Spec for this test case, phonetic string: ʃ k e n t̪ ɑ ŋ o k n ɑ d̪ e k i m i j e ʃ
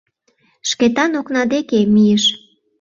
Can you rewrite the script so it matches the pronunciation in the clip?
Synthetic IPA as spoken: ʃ k e t̪ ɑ n o k n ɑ d̪ e k e m i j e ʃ